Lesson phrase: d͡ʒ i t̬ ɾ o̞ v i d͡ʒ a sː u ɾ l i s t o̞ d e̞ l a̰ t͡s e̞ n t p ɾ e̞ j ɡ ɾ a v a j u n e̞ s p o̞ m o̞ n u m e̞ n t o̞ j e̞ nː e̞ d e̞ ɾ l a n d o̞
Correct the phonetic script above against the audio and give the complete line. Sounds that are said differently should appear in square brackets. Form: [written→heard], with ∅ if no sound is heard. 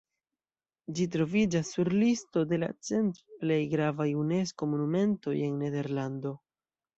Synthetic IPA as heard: d͡ʒ i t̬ ɾ o̞ v i d͡ʒ a sː u ɾ l i s t o̞ d e̞ l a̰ t͡s e̞ n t p [ɾ→l] e̞ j ɡ ɾ a v a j u n e̞ s [p→k] o̞ m o̞ n u m e̞ n t o̞ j e̞ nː e̞ d e̞ ɾ l a n d o̞